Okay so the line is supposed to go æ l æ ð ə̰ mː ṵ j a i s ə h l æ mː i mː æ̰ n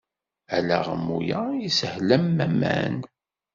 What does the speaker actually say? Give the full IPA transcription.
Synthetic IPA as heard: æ l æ ʁ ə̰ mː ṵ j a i s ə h l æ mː æ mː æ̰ n